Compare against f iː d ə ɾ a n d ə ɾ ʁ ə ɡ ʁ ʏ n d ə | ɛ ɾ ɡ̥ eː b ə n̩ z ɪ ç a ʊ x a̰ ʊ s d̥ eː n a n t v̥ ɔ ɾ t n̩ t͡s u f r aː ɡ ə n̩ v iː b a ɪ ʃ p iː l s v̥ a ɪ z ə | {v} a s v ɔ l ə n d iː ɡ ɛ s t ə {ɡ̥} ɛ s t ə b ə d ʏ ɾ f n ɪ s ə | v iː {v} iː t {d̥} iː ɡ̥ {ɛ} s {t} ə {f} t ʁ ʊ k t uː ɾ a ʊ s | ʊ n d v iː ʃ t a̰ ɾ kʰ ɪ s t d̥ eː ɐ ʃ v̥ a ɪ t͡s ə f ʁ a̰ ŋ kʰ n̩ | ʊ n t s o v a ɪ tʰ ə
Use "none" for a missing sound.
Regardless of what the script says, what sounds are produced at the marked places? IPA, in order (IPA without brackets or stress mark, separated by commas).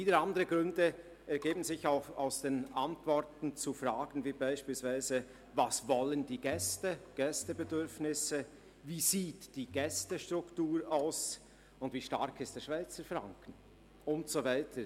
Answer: v, ɡ̥, z, d̥, ɛ, t, ʃ